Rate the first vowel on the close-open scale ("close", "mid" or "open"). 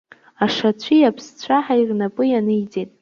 open